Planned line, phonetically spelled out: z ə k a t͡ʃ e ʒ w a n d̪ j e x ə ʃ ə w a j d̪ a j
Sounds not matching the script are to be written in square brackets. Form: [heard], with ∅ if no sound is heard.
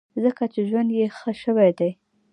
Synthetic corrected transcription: z ə k a t͡ʃ e ʒ w a n d̪ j e x ə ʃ ə w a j d̪ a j